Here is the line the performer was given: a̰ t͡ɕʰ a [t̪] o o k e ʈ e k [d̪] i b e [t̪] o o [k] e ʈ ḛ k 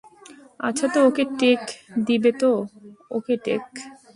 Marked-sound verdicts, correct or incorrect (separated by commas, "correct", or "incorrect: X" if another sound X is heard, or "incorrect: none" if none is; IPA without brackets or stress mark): correct, correct, correct, correct